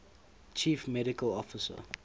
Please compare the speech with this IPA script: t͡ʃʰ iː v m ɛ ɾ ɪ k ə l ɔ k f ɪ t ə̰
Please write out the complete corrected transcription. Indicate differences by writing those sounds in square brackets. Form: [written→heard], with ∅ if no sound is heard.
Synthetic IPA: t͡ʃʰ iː [v→f] m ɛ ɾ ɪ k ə l ɔ [k→∅] f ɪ [t→s] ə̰